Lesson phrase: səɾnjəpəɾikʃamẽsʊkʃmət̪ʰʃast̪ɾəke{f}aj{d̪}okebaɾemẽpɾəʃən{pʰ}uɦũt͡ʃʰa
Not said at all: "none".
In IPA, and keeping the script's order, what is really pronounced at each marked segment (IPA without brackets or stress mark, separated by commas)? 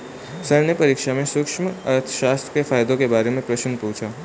f, d̪, p